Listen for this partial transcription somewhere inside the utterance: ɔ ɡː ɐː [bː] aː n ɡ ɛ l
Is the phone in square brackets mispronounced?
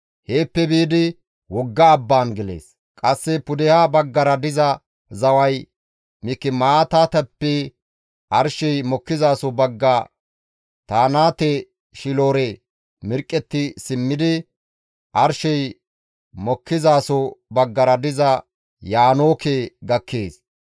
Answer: no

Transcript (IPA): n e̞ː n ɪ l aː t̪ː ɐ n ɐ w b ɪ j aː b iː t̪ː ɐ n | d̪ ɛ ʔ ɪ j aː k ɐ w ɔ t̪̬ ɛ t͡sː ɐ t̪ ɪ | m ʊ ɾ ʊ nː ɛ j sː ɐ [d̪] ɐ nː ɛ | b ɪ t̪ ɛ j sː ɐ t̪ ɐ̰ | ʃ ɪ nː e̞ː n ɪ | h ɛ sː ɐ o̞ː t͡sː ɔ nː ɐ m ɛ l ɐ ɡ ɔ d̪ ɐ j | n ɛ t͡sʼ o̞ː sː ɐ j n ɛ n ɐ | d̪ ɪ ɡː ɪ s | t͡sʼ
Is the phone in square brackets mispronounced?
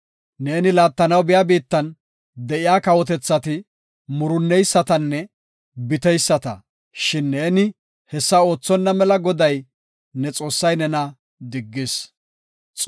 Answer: yes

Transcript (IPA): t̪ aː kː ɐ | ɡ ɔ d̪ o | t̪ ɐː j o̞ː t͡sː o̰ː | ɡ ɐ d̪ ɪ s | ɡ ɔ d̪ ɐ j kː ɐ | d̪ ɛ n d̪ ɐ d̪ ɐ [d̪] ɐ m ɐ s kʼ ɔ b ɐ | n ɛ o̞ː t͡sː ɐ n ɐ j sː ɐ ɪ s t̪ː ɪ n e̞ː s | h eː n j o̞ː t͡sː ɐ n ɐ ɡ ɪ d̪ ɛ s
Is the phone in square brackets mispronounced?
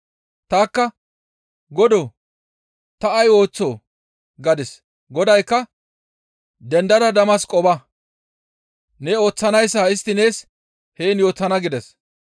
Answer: no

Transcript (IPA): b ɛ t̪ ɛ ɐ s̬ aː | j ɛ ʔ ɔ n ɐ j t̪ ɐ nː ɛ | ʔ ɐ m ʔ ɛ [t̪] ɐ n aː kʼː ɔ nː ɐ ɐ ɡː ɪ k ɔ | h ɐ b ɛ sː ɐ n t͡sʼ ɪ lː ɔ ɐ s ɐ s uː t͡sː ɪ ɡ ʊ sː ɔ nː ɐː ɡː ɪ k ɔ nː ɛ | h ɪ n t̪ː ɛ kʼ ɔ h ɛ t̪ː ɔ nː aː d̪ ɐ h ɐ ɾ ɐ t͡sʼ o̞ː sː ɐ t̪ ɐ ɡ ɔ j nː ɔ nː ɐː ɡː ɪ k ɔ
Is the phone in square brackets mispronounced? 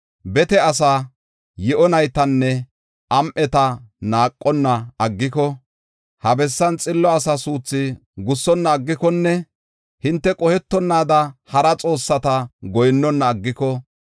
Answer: no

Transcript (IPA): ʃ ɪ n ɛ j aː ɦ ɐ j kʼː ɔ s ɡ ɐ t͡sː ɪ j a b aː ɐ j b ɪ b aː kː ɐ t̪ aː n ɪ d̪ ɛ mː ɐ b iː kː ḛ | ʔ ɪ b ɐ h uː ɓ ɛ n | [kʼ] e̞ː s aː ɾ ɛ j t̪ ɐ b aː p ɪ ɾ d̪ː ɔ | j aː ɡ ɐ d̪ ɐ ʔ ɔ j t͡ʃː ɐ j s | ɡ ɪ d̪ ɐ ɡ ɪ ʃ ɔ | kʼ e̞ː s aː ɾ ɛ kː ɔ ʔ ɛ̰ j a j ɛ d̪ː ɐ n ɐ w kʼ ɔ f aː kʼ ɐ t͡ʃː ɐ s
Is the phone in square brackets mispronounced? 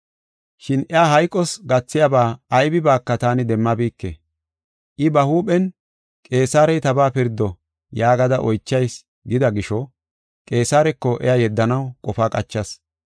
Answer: no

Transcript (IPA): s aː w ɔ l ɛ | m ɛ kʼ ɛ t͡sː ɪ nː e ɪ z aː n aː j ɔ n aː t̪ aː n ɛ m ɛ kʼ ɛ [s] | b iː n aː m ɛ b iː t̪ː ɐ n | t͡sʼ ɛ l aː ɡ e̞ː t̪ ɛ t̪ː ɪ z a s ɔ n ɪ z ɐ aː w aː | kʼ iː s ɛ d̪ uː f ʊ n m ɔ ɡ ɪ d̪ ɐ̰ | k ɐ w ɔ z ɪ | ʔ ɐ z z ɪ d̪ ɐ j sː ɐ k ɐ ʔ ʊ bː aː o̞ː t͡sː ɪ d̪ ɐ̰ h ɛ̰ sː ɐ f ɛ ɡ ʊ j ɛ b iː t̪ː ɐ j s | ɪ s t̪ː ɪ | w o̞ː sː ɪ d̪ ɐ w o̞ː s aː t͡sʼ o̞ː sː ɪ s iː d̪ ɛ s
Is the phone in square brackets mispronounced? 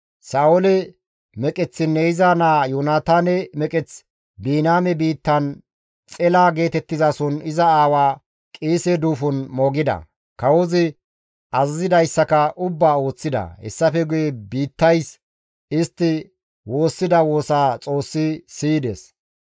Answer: yes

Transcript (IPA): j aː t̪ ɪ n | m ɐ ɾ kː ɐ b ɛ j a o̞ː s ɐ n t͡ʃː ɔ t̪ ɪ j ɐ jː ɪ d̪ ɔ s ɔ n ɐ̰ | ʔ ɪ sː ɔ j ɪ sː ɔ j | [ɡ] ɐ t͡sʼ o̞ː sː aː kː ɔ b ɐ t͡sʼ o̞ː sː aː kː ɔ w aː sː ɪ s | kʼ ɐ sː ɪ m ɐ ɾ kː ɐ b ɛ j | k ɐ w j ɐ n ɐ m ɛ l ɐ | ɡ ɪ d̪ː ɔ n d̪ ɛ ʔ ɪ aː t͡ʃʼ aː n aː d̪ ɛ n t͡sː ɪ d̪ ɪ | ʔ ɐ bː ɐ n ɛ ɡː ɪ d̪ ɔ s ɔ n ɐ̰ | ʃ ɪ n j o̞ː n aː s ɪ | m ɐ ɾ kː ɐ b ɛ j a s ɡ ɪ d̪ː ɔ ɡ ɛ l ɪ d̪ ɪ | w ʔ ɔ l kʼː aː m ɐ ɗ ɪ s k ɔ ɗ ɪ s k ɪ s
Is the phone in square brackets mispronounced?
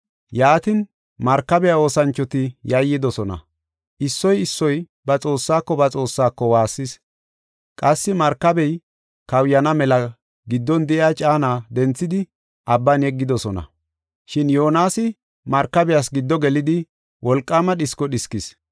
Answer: yes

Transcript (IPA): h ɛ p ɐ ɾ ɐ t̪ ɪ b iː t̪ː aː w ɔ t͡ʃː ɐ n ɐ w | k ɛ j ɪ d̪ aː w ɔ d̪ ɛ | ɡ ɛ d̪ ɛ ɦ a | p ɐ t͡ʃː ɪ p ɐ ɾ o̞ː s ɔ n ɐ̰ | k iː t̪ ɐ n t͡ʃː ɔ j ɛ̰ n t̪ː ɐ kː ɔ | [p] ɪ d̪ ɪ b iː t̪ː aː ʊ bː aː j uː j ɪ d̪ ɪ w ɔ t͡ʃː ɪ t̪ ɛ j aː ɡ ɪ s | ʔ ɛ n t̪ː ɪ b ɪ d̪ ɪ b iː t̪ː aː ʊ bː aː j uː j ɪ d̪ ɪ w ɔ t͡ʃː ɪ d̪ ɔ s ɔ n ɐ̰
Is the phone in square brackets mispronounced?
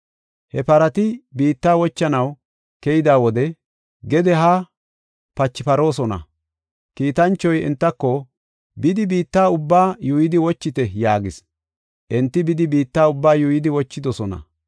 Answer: yes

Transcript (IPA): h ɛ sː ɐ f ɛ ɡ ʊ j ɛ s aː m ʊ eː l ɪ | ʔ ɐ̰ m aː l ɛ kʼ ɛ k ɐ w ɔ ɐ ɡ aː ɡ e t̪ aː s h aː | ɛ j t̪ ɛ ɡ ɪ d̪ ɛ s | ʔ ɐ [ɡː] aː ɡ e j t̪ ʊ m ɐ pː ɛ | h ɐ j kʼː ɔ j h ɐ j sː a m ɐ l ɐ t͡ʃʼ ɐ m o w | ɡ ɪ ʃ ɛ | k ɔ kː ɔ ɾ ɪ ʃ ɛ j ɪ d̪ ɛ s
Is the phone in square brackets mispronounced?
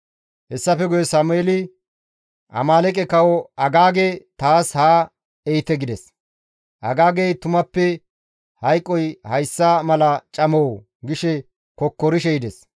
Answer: yes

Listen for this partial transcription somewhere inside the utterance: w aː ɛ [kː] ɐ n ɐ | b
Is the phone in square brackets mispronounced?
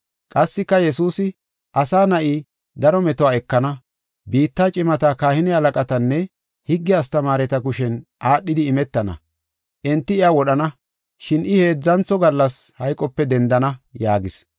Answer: no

